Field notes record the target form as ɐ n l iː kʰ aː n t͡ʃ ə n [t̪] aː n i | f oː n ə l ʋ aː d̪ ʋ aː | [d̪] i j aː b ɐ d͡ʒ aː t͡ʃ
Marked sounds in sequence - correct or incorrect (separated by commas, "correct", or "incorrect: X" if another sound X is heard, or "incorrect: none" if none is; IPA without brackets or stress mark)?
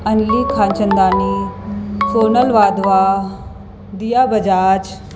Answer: incorrect: d̪, correct